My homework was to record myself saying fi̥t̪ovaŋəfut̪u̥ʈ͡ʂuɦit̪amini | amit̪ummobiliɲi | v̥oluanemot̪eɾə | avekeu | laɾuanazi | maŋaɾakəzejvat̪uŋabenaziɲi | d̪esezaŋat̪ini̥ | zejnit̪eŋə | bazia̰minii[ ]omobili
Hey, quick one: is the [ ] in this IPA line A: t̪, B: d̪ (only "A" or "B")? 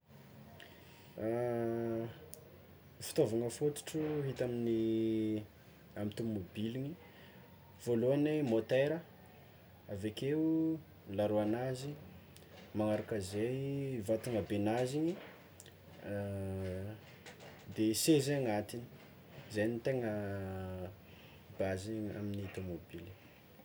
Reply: A